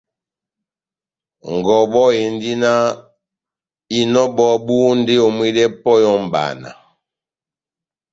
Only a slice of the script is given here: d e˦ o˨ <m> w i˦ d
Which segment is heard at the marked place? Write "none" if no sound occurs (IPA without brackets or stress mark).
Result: m